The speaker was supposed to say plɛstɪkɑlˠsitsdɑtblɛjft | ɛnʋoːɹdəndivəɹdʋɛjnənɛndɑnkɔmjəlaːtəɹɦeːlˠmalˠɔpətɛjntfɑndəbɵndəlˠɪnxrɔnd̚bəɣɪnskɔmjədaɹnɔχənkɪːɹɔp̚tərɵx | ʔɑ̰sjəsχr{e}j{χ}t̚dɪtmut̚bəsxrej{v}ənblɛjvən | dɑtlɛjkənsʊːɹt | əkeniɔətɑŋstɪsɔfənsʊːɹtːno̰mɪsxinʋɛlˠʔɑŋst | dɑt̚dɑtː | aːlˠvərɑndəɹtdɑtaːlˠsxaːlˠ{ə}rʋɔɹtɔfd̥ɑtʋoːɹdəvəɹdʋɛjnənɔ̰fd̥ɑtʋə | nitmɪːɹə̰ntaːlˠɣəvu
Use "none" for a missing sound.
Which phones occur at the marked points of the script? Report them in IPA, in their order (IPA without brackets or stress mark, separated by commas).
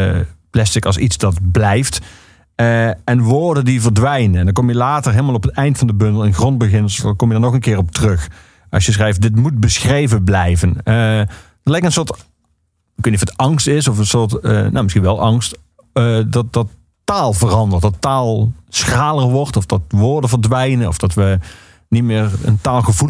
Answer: ɛ, f, v, ə